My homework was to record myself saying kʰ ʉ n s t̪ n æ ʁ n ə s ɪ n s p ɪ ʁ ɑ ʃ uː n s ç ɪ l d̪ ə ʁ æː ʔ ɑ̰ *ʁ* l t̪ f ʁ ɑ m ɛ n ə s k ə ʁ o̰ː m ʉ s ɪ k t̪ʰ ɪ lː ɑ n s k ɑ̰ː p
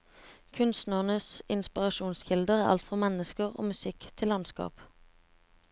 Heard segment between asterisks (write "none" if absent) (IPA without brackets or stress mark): none